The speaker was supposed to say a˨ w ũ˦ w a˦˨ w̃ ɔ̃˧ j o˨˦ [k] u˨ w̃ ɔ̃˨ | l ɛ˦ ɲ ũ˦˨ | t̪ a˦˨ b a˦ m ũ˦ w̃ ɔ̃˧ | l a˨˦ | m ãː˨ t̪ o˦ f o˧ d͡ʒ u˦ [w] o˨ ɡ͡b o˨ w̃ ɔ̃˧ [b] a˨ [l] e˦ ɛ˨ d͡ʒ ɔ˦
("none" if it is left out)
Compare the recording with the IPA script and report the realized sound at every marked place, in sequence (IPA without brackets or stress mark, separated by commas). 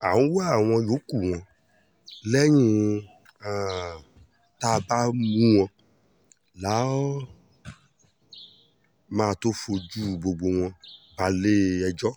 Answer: k, b, b, l